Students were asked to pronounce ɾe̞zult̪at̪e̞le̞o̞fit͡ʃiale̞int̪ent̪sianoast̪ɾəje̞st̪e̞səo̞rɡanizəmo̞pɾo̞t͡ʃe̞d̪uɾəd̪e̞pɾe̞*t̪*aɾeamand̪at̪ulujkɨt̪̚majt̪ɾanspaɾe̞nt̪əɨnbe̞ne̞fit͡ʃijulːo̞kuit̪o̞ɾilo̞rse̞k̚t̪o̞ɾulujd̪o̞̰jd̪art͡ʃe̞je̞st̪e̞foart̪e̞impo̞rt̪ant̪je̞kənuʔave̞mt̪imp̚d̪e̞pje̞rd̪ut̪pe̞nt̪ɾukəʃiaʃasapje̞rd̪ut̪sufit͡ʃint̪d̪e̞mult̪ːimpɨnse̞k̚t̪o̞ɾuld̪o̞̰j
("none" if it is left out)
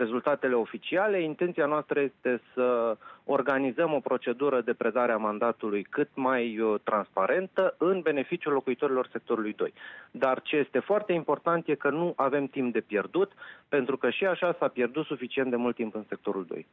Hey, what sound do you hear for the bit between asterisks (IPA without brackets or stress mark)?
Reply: d̪